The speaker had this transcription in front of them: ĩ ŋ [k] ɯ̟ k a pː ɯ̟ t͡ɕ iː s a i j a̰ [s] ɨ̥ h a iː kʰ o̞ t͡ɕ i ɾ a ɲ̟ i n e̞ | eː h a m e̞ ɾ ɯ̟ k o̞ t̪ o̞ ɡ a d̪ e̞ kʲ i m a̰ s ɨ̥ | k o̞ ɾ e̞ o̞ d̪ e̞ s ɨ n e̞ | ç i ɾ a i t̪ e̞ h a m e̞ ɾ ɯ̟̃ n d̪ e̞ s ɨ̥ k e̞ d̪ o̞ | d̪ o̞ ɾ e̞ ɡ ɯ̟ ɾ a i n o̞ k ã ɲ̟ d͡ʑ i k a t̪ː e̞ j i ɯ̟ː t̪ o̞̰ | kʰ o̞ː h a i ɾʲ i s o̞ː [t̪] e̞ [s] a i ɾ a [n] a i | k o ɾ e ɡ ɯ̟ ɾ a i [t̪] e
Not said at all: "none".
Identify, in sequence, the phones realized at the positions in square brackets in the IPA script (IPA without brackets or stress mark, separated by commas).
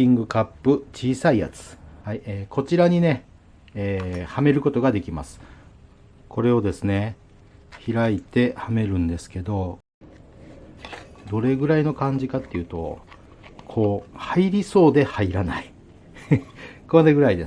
ɡ, t͡s, d̪, h, n, d̪